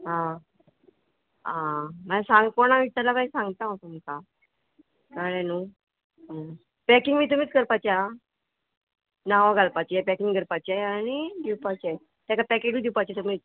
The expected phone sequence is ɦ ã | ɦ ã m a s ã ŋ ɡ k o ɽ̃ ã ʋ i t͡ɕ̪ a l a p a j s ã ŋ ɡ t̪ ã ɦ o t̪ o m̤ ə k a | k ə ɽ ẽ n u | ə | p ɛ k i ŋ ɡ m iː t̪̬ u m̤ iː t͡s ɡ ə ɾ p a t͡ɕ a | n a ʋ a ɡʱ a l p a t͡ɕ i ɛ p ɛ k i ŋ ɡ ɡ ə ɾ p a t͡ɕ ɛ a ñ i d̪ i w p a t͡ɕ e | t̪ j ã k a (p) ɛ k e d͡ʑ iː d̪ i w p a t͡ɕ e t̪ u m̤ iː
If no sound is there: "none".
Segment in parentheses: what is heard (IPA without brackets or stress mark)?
p